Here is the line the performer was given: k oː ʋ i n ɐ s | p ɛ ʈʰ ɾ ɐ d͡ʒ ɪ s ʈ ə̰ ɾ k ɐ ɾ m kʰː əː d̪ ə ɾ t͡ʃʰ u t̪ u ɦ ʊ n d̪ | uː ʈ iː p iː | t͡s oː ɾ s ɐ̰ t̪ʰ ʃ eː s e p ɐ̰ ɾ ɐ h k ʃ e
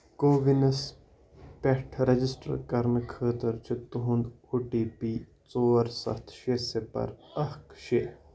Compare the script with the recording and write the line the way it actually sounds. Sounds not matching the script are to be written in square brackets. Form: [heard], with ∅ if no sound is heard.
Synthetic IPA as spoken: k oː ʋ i n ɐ s | p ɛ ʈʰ ɾ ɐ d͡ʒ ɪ s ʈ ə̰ ɾ k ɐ ɾ m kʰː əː [t̪] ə ɾ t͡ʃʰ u t̪ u ɦ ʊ n d̪ | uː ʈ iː p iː | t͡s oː ɾ s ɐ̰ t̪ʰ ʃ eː s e p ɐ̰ ɾ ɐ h k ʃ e